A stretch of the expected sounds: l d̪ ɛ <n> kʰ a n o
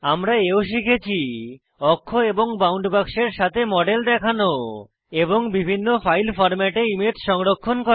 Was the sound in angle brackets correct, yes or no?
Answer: no